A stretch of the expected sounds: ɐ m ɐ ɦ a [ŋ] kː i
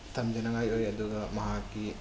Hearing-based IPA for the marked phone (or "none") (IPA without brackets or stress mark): none